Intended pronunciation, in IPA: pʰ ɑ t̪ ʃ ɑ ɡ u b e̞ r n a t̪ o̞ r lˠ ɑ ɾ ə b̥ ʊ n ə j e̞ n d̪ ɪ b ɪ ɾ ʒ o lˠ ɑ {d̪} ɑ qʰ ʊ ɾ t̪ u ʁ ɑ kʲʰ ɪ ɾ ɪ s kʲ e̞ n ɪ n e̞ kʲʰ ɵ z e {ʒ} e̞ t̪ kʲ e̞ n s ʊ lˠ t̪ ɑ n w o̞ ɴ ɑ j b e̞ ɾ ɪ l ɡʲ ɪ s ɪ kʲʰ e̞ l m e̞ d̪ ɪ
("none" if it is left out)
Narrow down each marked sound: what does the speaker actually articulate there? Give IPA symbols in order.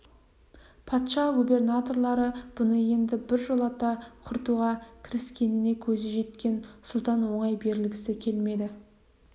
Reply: t̪, ʒ

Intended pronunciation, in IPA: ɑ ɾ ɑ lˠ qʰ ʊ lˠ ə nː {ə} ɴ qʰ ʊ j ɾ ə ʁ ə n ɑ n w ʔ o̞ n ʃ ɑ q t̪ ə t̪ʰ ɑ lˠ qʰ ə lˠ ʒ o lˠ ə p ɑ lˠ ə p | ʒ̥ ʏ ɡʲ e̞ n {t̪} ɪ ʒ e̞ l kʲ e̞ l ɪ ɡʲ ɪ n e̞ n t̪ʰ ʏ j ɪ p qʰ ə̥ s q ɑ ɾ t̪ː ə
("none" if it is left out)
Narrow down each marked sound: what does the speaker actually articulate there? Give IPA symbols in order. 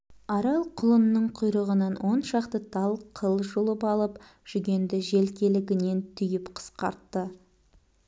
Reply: ə, d̪

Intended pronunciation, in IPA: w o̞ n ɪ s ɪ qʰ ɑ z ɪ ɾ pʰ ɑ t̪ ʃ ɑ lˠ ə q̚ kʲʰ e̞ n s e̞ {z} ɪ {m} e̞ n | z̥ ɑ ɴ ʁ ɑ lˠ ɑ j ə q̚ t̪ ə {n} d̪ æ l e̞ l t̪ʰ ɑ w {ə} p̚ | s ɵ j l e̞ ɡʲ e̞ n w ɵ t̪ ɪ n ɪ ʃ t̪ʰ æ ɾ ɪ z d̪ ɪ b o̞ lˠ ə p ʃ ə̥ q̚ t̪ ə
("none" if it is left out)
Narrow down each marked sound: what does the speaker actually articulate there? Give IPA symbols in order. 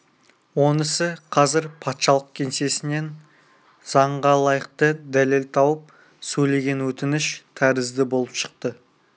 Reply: s, n, none, ə

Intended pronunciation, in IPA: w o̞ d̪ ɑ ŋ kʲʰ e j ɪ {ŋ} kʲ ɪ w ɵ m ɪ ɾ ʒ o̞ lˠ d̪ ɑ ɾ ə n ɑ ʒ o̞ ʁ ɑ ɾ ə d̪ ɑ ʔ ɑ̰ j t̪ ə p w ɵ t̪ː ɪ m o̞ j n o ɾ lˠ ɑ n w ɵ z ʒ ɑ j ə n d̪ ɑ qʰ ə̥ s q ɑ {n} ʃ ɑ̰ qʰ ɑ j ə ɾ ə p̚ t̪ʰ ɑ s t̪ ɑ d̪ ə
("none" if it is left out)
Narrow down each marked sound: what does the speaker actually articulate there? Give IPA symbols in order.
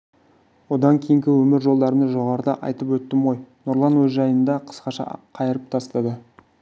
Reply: ŋ, none

